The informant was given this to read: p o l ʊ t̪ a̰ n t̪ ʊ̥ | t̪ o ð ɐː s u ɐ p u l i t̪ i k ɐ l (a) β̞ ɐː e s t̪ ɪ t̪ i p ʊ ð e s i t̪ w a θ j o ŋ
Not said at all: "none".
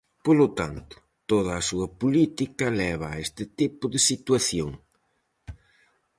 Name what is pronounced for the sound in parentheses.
ɛ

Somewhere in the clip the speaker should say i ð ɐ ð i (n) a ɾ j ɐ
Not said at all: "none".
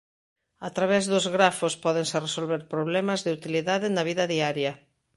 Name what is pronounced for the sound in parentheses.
none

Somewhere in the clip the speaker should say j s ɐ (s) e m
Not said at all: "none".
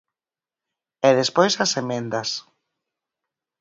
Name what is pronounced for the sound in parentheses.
s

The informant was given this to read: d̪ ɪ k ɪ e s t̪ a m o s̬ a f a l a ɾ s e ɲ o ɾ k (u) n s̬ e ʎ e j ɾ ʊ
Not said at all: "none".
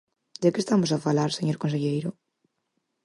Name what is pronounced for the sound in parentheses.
o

